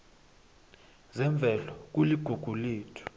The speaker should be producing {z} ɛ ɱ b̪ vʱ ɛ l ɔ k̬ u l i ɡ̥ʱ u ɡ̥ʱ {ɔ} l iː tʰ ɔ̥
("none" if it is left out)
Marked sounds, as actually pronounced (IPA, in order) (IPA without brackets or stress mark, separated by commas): z, u